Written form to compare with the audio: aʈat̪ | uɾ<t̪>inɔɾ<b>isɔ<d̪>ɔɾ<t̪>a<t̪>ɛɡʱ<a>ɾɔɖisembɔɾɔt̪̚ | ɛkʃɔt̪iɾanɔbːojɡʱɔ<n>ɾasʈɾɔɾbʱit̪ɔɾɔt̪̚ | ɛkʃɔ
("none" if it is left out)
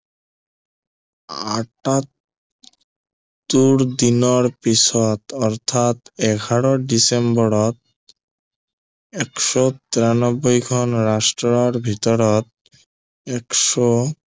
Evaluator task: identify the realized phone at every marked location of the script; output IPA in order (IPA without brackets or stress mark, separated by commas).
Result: d̪, p, t̪, t̪ʰ, t̪, a, n